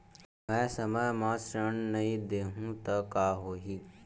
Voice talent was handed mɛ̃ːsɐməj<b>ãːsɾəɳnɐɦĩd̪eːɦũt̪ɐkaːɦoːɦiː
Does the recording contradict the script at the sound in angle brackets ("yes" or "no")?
yes